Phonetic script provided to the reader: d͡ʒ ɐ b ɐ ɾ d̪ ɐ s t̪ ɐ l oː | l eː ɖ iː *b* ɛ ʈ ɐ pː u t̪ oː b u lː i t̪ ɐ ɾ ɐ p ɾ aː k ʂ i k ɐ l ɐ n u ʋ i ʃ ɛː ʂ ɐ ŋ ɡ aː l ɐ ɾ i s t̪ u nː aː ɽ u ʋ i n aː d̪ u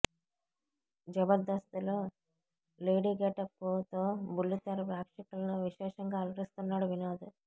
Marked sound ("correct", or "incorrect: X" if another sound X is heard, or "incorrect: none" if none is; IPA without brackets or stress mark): incorrect: ɡ